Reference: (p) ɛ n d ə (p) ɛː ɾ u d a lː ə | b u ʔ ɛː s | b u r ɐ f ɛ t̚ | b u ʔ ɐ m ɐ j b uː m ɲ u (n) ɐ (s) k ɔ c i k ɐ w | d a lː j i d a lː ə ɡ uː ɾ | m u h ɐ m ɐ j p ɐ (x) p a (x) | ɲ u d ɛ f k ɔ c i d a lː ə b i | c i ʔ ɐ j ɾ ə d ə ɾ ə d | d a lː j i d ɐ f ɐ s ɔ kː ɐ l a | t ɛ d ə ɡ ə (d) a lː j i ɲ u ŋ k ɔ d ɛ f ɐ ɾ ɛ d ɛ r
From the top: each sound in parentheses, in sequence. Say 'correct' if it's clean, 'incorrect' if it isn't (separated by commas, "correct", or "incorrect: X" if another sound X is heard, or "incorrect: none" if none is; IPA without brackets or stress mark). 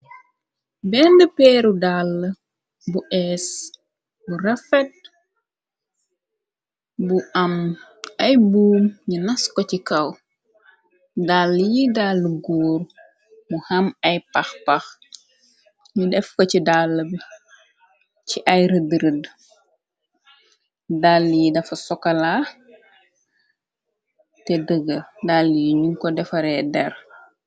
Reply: incorrect: b, correct, correct, correct, correct, correct, correct